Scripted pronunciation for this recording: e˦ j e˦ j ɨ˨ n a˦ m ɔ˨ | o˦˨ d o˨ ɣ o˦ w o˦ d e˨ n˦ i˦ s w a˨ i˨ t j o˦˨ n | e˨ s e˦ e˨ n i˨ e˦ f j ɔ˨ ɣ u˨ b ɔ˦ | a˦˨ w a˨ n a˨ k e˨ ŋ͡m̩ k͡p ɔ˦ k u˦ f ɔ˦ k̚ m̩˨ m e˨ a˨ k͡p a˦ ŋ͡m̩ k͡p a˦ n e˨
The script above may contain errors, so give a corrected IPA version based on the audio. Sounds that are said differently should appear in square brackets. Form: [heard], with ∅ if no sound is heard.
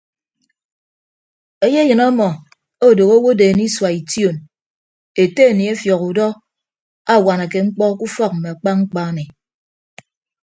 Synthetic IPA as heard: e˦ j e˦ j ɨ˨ n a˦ m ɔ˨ | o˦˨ d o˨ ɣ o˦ w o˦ d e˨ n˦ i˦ s w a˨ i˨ t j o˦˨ n | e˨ [t] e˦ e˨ n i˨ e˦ f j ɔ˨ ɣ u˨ [d] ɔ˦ | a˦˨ w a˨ n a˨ k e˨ ŋ͡m̩ k͡p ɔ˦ k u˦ f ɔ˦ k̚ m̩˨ m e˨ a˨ k͡p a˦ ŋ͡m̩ k͡p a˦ n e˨

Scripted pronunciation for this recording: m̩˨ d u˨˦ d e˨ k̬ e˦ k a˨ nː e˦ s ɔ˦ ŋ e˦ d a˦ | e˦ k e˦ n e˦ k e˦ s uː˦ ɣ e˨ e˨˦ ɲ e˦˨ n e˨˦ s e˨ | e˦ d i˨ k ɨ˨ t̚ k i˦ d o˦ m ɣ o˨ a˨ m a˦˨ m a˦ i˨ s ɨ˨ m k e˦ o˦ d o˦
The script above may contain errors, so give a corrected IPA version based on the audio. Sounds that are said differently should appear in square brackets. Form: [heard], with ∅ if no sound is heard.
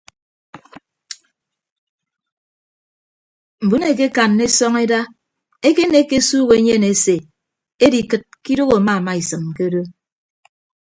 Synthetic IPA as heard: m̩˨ [b] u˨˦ [n] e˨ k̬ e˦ k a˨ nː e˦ s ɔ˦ ŋ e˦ d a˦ | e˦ k e˦ n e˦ k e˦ s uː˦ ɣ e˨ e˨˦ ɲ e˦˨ n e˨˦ s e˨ | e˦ d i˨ k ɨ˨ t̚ k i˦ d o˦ [∅] ɣ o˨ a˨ m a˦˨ m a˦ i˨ s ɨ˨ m k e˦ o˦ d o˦

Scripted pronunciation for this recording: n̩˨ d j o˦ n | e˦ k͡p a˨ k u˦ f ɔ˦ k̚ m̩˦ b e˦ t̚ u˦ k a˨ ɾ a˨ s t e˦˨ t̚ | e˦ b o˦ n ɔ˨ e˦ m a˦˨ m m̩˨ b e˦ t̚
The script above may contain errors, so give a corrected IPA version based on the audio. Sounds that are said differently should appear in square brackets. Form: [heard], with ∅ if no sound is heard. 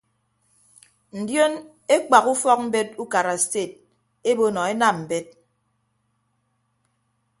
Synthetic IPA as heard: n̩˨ d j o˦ n | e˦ k͡p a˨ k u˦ f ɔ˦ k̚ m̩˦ b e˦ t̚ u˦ k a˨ ɾ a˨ s t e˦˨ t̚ | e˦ b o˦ n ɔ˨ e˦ [n] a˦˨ m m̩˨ b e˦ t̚

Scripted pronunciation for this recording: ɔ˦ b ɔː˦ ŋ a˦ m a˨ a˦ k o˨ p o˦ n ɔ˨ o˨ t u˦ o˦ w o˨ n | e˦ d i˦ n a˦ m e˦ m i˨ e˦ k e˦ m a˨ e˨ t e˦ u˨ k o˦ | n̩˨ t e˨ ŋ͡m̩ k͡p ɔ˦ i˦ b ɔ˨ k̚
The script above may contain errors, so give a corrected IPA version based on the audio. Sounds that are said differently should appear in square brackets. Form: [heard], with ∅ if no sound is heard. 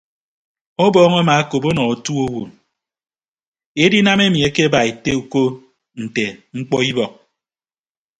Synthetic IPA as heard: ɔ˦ b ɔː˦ ŋ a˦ m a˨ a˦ k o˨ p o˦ n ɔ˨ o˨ t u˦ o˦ w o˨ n | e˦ d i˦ n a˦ m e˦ m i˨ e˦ k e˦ [b] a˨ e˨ t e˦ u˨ k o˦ | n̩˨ t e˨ ŋ͡m̩ k͡p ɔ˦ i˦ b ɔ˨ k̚

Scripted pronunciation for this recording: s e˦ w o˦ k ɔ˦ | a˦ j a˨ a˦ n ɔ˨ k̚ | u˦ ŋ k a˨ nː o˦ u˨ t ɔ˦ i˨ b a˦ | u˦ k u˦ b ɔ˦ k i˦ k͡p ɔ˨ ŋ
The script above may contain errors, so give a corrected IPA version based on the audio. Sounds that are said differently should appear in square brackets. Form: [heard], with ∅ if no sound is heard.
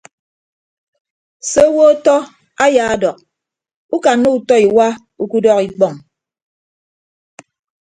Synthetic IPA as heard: s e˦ w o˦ [t] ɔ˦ | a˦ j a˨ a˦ [d] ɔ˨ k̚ | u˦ [∅] k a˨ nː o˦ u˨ t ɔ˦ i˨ [w] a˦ | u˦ k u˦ [d] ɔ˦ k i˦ k͡p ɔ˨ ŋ

